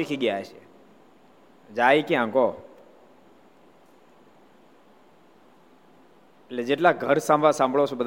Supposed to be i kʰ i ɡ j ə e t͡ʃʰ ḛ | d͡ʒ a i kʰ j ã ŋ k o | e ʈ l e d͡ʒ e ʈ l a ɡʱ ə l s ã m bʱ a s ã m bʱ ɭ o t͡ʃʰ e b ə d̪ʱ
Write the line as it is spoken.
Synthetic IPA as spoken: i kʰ i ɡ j a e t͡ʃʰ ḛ | d͡ʒ a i k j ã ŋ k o | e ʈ l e d͡ʒ e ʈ l a ɡʱ ə ɾ s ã m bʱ a s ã m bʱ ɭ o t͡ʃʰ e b ə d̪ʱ